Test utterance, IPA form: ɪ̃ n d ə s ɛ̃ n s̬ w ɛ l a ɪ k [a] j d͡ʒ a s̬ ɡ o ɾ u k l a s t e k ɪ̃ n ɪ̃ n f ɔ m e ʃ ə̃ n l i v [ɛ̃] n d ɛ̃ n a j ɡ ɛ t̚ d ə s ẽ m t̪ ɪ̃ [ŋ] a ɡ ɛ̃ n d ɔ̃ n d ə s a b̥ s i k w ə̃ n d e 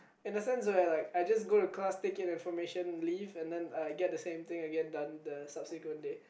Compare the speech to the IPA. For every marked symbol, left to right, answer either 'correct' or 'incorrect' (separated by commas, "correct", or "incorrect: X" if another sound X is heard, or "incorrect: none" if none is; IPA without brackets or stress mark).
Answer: correct, correct, correct